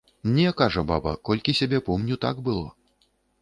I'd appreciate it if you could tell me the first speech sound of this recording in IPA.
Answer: nʲ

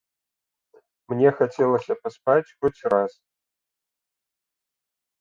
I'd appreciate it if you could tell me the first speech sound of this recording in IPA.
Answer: m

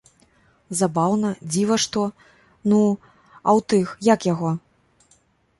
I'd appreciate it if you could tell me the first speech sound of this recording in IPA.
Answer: z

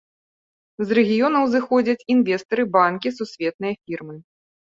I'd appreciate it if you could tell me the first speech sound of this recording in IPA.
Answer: z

